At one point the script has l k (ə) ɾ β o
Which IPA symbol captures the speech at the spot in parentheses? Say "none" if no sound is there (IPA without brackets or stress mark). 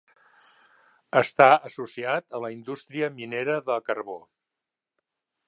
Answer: ə